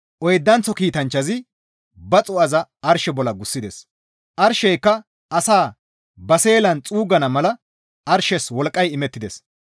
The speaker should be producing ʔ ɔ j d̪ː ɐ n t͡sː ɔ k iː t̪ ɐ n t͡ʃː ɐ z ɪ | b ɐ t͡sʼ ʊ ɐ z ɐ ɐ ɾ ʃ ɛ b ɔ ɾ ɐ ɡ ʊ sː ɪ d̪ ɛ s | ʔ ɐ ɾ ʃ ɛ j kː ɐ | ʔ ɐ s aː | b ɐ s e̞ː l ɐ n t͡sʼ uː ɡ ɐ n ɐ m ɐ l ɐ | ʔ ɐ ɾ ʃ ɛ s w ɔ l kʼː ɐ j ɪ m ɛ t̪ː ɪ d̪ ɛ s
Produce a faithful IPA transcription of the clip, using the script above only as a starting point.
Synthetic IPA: ʔ ɔ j d̪ː ɐ n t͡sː ɔ k iː t̪ ɐ n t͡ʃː ɐ z ɪ | b ɐ t͡sʼ ʊ ɐ z ɐ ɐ ɾ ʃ ɛ b ɔ l ɐ ɡ ʊ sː ɪ d̪ ɛ s | ʔ ɐ ɾ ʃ ɛ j kː ɐ | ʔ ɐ s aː | b ɐ s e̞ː l ɐ n t͡sʼ uː ɡ ɐ n ɐ m ɐ l ɐ | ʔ ɐ ɾ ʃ ɛ s w ɔ l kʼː ɐ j ɪ m ɛ t̪ː ɪ d̪ ɛ s